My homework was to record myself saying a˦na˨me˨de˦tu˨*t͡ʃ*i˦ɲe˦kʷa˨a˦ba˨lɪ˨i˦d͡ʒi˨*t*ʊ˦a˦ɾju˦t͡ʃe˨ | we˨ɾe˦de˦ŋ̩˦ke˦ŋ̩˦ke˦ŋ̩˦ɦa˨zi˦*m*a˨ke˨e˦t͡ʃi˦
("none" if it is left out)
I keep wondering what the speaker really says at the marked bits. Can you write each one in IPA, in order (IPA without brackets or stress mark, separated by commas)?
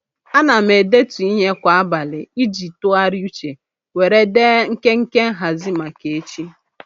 none, t, m